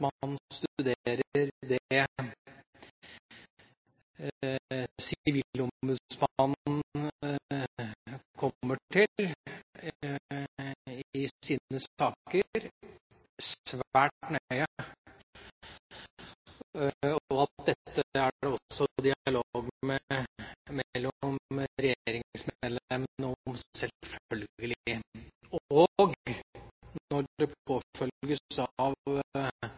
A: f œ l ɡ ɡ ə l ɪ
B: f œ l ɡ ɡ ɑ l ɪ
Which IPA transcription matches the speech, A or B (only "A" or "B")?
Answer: A